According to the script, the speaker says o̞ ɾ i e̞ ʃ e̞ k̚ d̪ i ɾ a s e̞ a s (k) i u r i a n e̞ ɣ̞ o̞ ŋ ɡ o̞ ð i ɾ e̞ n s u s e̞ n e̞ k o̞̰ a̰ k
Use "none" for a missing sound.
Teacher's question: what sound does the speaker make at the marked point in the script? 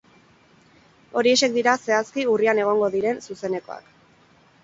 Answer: k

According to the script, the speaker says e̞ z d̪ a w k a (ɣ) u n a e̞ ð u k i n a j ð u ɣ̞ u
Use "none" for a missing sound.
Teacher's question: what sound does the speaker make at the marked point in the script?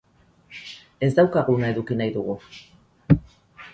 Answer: ɣ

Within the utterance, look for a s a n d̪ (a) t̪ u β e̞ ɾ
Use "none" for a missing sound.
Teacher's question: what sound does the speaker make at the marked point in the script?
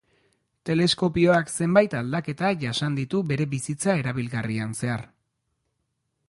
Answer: i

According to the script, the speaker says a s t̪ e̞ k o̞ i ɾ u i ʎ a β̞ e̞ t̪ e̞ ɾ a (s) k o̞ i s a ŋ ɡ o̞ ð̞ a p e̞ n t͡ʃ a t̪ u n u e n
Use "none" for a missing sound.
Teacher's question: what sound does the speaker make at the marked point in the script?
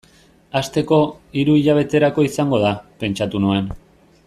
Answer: none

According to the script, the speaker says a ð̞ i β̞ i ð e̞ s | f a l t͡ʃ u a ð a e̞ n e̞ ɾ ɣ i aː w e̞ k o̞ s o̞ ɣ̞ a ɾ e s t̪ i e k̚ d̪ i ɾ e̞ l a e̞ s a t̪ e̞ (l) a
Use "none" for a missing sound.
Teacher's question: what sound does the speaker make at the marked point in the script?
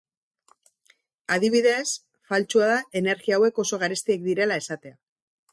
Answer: none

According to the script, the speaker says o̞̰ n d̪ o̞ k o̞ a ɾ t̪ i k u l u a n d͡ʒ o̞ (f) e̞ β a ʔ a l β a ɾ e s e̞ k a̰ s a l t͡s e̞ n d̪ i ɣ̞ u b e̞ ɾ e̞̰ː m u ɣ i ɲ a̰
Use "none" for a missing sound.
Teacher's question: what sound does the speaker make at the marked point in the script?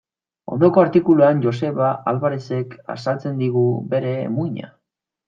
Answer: s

